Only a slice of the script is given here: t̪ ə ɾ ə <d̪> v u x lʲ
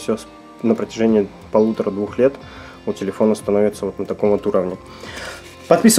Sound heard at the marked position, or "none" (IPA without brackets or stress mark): d̪